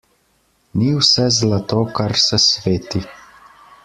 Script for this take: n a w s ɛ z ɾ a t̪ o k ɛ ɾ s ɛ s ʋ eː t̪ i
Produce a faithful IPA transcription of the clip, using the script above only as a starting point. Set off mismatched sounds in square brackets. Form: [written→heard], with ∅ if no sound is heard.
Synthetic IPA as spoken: n [a→i] w s ɛ z [ɾ→l] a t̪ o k [ɛ→a] ɾ s ɛ s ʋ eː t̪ i